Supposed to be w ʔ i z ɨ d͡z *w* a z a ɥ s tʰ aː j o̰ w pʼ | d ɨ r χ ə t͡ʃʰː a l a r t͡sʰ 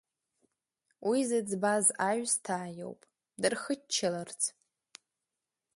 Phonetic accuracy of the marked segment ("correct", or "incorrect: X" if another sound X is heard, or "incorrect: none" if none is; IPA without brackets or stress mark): incorrect: b